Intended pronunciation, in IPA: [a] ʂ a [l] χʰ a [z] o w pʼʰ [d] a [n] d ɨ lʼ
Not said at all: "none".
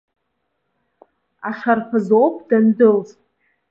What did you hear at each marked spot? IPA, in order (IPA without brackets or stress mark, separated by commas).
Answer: a, r, z, d, n